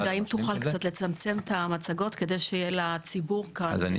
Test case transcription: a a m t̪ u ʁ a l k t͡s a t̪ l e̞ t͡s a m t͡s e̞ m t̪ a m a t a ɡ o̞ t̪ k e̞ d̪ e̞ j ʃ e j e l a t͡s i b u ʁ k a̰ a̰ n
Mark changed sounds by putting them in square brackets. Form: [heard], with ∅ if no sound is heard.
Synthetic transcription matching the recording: a [i] m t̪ u [χ] a l k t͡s a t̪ l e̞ t͡s a m t͡s e̞ m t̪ a m a [t͡s] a ɡ o̞ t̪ k e̞ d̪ e̞ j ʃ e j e l a t͡s i b u ʁ k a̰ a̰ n